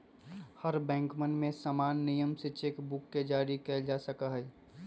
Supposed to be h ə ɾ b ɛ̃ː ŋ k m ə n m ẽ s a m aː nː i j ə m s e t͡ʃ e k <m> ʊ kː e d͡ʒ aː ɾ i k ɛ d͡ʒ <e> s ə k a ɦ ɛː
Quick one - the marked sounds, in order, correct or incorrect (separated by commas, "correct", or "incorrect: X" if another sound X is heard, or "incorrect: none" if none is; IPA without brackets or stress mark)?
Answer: incorrect: b, incorrect: a